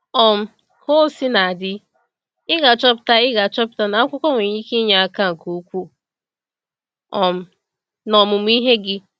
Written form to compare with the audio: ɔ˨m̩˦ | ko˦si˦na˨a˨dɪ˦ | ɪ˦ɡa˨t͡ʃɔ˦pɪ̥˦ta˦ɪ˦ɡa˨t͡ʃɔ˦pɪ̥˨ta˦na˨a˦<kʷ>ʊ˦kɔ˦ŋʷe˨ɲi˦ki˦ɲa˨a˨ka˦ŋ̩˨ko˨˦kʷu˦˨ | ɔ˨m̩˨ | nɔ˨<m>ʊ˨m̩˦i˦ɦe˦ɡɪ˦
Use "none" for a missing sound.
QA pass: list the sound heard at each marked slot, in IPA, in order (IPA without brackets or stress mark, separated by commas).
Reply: kʷ, m